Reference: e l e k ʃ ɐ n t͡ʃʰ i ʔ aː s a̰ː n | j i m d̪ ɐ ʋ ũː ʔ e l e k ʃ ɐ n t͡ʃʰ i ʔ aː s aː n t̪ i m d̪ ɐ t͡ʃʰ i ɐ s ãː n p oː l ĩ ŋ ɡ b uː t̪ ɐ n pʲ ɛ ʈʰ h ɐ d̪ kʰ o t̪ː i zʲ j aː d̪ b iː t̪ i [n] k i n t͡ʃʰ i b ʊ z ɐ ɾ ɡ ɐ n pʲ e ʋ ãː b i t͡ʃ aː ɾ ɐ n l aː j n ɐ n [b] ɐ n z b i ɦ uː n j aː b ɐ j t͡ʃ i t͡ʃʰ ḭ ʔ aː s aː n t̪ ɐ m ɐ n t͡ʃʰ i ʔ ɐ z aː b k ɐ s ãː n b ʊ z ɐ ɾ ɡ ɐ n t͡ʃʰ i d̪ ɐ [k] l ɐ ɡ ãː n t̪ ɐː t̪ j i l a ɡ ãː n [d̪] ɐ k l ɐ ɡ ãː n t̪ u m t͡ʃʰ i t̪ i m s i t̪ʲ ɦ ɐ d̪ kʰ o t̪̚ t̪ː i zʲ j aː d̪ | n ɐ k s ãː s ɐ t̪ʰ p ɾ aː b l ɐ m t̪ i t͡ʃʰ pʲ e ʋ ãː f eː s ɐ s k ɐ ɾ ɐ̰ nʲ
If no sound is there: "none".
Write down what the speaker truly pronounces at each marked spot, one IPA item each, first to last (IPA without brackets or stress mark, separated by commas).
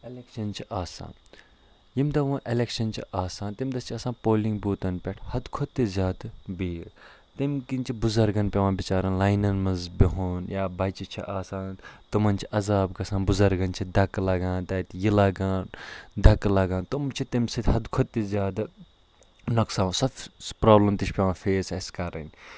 m, m, k, d̪